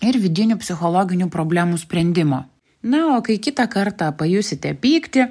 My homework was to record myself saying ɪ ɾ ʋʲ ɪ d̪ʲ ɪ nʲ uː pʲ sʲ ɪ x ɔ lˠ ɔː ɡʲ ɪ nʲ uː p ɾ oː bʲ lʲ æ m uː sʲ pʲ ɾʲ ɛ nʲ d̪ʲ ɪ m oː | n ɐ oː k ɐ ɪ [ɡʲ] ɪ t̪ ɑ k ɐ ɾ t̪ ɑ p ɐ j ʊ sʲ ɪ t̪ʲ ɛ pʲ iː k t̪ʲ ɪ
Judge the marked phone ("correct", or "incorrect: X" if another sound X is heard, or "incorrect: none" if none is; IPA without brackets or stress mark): incorrect: kʲ